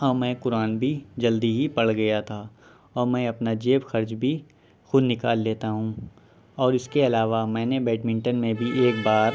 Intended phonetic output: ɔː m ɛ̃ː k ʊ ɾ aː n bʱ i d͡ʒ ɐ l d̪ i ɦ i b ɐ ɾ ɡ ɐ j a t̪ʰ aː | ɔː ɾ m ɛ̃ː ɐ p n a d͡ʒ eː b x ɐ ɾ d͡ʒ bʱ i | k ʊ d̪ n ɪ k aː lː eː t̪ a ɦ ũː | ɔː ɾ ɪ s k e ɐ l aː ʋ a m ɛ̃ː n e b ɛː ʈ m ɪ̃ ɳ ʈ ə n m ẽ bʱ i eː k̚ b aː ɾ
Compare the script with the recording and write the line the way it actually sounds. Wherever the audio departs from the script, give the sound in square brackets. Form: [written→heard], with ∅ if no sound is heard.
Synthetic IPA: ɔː m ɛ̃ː k ʊ ɾ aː n bʱ i d͡ʒ ɐ l d̪ i ɦ i [b→p] ɐ [ɾ→ɽ] ɡ ɐ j a t̪ʰ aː | ɔː ɾ m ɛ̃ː ɐ p n a d͡ʒ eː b x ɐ ɾ d͡ʒ bʱ i | [k→x] ʊ d̪ n ɪ k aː lː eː t̪ a ɦ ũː | ɔː ɾ ɪ s k e ɐ l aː ʋ a m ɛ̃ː n e b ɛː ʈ m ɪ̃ ɳ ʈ ə n m ẽ bʱ i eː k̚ b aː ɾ